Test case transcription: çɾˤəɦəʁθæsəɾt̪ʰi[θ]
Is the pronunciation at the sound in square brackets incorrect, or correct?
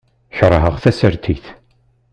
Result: correct